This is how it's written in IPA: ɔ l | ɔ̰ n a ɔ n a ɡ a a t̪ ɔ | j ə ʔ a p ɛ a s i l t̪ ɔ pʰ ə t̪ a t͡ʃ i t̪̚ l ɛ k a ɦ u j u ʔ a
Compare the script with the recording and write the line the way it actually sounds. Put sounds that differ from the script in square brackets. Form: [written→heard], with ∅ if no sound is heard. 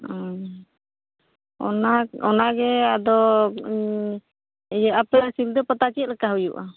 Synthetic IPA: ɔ [l→∅] | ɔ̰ n a ɔ n a ɡ [a→ɛ] a [t̪→d̪] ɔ | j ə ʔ a p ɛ a s i l [t̪→d̪] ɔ [pʰ→p] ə t̪ a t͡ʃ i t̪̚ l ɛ k a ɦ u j u ʔ a